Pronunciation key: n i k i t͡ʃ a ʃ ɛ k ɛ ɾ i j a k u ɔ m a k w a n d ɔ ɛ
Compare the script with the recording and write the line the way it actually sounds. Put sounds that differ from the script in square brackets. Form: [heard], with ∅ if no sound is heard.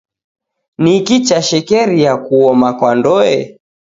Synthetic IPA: n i k i t͡ʃ a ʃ ɛ k ɛ ɾ i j a k u ɔ m a k w a n d ɔ ɛ